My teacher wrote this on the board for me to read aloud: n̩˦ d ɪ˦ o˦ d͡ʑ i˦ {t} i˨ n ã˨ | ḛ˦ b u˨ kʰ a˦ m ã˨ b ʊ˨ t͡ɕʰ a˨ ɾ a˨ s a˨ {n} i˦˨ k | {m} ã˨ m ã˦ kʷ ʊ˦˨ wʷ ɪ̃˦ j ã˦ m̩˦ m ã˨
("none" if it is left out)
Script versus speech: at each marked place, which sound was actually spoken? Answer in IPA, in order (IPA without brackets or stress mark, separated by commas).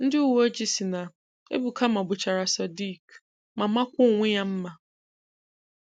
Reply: s, d, m